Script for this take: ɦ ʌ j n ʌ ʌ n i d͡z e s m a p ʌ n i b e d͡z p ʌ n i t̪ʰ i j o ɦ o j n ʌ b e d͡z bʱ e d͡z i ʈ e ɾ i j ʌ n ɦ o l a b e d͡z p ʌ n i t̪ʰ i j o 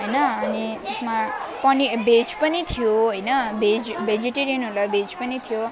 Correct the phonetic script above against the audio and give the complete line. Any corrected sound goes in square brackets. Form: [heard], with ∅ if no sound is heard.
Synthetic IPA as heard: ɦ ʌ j n ʌ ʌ n i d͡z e s m a p ʌ n i b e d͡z p ʌ n i t̪ʰ i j o ɦ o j n ʌ b e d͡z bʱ e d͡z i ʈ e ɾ i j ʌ n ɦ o l a b e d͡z p ʌ n i t̪ʰ i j o